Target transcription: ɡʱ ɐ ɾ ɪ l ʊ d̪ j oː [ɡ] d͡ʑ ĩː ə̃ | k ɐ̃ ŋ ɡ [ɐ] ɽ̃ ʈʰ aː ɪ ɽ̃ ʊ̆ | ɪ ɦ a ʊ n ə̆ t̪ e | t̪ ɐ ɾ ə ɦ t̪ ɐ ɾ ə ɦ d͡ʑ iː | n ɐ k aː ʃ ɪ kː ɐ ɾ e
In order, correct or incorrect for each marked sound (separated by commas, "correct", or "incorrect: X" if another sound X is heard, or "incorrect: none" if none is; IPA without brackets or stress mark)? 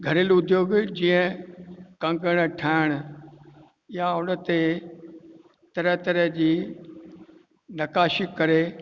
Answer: correct, incorrect: ə